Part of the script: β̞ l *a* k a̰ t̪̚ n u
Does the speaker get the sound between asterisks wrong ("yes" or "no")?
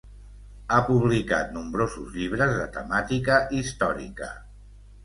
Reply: yes